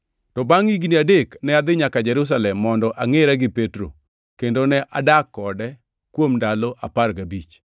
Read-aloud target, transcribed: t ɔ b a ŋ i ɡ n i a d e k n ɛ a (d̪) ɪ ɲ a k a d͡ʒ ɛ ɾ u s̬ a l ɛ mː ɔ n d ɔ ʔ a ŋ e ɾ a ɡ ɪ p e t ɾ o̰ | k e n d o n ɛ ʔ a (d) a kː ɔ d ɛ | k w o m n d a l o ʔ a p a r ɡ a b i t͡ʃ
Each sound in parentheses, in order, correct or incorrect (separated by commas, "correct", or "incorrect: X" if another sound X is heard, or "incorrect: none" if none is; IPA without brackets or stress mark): correct, correct